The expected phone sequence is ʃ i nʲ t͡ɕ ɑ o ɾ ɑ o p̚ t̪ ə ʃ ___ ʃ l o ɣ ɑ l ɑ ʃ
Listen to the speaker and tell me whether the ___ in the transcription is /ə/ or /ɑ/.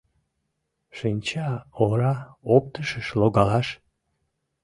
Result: ə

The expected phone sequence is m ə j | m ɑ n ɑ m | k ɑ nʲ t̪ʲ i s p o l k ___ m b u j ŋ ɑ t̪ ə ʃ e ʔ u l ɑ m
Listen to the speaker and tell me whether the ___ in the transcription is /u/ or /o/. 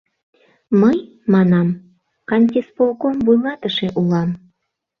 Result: o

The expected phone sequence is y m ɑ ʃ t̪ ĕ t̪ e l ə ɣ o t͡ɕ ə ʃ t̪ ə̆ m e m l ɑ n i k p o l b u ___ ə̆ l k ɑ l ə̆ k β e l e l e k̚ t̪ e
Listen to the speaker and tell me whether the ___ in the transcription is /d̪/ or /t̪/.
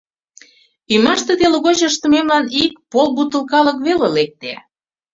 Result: t̪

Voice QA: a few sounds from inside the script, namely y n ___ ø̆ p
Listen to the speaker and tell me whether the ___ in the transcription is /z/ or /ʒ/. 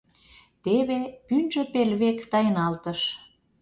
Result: ʒ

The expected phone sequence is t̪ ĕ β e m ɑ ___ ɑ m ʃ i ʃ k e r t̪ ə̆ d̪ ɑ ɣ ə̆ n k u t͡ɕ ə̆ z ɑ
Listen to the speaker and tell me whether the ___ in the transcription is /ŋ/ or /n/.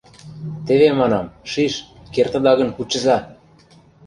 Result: n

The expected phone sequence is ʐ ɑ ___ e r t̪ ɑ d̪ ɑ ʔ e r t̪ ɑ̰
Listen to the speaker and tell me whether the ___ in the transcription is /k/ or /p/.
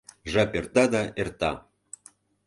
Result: p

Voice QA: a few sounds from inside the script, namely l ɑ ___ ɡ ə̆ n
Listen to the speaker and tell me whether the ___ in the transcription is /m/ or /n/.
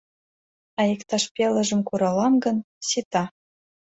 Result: m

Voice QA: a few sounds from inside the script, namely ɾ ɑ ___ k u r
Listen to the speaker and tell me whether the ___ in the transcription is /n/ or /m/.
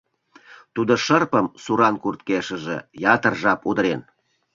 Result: n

